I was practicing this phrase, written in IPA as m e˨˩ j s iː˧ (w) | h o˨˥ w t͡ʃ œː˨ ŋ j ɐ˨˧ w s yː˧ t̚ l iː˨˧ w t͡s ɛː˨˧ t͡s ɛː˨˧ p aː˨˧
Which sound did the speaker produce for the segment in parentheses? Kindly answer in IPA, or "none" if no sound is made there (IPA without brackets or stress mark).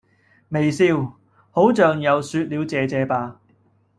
w